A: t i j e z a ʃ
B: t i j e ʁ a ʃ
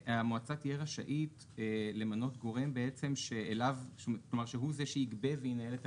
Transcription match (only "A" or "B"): B